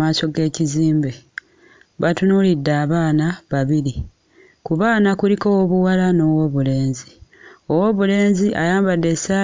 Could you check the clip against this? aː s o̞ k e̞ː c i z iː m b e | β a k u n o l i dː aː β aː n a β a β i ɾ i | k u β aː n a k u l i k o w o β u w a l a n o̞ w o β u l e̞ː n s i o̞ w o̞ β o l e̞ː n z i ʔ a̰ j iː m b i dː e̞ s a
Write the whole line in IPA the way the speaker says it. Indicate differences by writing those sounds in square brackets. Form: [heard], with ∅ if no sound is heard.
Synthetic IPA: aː s o̞ [ɡ] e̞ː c i z iː m b e | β a [t] u n [u] l i dː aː β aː n a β a β i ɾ i | k u β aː n a k u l i k o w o β u w a l a n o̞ w o β u l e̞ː n [z] i o̞ w o̞ β [u] l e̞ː n z i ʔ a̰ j [aː] m b [a] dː e̞ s a